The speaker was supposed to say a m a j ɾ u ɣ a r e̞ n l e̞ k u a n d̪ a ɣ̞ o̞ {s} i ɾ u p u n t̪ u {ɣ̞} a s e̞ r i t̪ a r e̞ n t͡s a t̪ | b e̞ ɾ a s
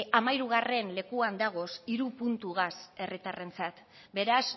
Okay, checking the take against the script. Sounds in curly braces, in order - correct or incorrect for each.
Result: correct, correct

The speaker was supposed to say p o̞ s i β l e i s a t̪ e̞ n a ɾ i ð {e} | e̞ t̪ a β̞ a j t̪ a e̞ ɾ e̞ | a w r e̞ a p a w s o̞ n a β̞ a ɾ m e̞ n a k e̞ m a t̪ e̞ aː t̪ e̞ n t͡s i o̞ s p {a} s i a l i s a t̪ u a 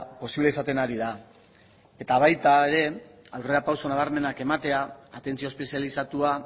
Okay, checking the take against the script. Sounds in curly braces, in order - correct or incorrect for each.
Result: incorrect: a, incorrect: e

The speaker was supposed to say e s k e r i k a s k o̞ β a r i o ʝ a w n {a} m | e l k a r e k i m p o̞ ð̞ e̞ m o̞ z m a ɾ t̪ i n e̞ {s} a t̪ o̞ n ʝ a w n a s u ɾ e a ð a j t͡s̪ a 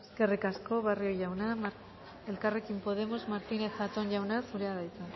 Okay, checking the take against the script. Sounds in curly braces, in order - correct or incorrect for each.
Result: correct, incorrect: θ

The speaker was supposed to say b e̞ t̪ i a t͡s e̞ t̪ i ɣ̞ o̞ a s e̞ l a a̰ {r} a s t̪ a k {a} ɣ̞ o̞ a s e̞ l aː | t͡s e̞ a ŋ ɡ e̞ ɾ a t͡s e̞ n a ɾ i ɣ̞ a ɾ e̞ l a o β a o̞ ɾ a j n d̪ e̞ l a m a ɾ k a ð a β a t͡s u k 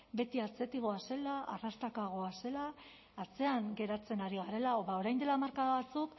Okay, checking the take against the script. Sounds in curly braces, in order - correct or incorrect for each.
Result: correct, correct

